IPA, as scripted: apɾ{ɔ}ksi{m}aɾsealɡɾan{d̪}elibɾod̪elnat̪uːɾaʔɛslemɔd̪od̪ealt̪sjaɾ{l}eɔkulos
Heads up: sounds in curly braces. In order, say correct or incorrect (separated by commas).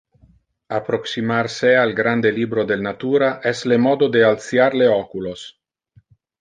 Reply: incorrect, correct, correct, correct